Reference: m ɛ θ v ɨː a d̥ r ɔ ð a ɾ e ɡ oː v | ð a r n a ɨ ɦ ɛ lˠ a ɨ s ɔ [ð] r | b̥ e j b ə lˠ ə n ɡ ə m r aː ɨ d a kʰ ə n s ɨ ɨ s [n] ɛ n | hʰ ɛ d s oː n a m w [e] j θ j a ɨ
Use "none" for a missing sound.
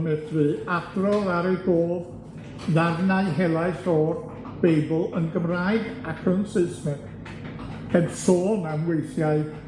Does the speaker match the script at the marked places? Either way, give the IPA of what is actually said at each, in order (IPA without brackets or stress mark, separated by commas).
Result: none, m, e